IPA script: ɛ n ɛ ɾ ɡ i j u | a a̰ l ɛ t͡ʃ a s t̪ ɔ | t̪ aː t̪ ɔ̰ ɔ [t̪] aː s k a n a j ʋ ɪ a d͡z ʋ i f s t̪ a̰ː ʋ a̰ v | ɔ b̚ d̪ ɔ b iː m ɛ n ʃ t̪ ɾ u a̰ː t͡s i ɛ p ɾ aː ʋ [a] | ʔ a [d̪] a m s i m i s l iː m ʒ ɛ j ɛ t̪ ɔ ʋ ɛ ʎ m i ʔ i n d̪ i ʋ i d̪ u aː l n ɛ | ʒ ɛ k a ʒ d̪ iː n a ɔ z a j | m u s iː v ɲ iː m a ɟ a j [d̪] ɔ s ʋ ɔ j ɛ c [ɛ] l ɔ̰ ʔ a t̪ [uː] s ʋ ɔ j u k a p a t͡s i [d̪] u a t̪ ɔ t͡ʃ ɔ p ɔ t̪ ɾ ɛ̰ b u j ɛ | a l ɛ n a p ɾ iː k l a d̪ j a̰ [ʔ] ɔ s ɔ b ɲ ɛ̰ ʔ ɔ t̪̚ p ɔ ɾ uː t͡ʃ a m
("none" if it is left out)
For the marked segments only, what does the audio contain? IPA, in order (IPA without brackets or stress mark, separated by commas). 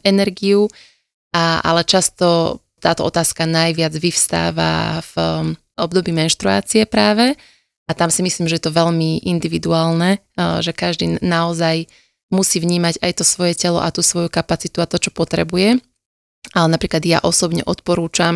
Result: t̪, ɛ, t̪, t̪, ɛ, uː, t̪, ʔ